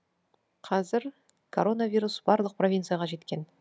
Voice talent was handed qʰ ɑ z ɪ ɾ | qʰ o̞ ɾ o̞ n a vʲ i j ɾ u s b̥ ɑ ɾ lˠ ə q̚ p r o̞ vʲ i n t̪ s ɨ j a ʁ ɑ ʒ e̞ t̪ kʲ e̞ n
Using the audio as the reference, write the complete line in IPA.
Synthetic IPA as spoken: qʰ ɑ z ɪ ɾ | kʰ o̞ ɾ o̞ n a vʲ i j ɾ u s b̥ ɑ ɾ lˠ ə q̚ p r o̞ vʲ i n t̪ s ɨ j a ʁ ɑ ʒ e̞ t̪ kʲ e̞ n